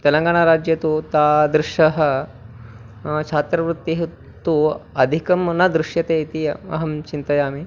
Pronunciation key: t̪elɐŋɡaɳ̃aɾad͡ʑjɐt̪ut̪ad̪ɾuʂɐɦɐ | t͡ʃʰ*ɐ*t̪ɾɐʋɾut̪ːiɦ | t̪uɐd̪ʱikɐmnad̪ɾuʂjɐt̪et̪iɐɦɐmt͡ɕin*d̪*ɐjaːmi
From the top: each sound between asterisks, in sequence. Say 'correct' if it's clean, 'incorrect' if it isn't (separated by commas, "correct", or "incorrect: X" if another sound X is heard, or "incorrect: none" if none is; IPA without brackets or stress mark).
incorrect: a, incorrect: t̪